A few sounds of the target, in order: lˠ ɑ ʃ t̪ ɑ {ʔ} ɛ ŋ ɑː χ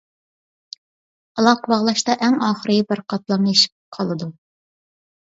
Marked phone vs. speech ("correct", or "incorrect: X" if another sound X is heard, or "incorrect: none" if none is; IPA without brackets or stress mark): correct